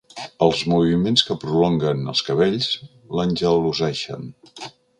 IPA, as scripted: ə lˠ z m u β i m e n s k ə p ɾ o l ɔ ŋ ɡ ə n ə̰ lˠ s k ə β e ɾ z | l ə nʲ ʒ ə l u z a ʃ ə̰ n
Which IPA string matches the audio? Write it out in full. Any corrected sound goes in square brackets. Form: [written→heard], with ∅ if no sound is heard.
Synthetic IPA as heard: ə lˠ z m u β i m e n s k ə p ɾ [o→u] l ɔ ŋ ɡ ə n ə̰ lˠ s k ə β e [ɾ→ʎ] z | l ə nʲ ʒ ə l u z [a→ɛ] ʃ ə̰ n